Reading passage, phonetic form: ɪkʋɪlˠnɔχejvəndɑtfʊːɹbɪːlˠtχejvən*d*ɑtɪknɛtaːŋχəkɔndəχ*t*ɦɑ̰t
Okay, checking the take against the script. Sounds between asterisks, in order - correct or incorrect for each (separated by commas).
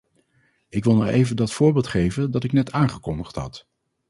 correct, correct